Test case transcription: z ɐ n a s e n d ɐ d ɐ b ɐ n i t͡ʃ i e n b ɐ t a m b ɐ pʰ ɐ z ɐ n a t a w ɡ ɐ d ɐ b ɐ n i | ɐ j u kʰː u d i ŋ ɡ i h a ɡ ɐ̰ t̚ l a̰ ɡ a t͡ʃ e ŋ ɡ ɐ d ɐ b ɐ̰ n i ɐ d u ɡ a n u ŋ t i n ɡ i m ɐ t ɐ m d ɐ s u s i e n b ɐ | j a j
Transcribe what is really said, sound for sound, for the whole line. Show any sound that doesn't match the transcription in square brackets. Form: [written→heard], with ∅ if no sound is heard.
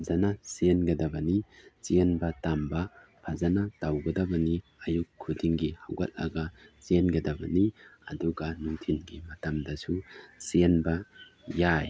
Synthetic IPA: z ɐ n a s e n [d→ɡ] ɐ d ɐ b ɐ n i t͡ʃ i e n b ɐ t a m b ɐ pʰ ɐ z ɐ n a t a w ɡ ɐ d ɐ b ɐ n i | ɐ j u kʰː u d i ŋ ɡ i h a ɡ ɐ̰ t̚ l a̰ ɡ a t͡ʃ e [ŋ→n] ɡ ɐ d ɐ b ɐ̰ n i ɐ d u ɡ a n u ŋ [t→tʰ] i n ɡ i m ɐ t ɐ m d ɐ s u s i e n b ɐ | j a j